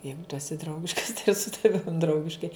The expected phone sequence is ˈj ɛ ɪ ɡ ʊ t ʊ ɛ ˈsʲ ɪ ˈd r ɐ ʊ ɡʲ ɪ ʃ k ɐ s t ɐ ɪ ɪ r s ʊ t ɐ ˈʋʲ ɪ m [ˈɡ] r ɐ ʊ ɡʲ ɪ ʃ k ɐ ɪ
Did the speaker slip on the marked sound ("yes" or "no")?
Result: yes